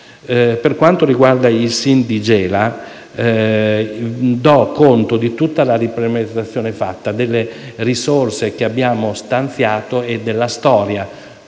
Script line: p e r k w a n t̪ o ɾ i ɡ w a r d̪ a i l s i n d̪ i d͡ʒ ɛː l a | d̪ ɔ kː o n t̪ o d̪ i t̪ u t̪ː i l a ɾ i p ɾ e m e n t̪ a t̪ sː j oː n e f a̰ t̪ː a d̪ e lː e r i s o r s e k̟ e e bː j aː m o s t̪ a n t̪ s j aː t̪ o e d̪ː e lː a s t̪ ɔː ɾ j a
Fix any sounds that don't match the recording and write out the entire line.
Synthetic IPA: p e r k w a n t̪ o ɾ i ɡ w a r d̪ a i l s i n d̪ i d͡ʒ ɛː l a | d̪ ɔ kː o n t̪ o d̪ i t̪ u t̪ː a l a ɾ i p ɾ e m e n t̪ a t̪ sː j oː n e f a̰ t̪ː a d̪ e lː e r i s o r s e k̟ e a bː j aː m o s t̪ a n t̪ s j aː t̪ o e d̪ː e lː a s t̪ ɔː ɾ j a